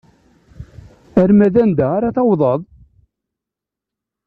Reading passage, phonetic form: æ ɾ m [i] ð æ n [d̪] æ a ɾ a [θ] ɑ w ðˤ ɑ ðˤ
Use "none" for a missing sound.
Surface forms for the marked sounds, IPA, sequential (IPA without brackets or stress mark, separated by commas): æ, d̪, θ